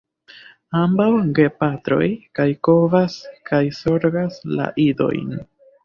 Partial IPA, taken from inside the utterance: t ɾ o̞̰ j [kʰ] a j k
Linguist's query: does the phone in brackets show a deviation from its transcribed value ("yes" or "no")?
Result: yes